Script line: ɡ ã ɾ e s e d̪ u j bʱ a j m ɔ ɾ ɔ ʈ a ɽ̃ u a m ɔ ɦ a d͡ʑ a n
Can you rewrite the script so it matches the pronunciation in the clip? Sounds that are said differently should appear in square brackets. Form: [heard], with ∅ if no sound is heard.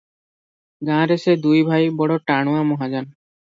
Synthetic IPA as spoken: ɡ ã ɾ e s e d̪ u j bʱ a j [b] ɔ [ɽ] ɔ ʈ a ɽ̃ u a m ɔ ɦ a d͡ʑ a n